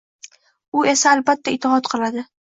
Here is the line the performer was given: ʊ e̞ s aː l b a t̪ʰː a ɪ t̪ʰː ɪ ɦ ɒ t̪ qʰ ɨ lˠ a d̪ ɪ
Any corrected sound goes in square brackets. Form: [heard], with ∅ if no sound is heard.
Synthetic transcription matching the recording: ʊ e̞ s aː l b a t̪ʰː a ɪ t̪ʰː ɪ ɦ ɒ t̪ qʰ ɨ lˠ a d̪ ɪ